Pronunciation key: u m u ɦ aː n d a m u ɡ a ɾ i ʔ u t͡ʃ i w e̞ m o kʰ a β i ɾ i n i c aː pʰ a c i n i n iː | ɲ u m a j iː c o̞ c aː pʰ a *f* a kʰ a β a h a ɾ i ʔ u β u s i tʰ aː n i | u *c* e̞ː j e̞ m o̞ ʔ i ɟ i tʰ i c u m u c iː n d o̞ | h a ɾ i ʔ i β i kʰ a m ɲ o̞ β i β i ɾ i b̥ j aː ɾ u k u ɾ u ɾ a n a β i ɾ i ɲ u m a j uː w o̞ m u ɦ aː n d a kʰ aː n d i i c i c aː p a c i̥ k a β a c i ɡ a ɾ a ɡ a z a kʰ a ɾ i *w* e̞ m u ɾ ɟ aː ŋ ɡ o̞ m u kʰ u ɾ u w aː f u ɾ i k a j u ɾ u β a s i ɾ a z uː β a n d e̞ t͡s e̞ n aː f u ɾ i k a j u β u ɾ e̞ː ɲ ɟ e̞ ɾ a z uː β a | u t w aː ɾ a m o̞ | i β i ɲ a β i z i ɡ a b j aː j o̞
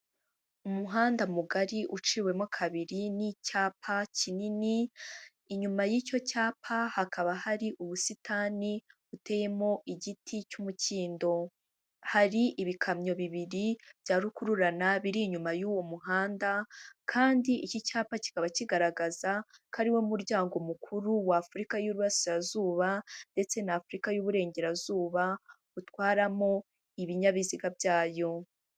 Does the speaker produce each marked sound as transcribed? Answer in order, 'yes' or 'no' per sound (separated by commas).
no, no, yes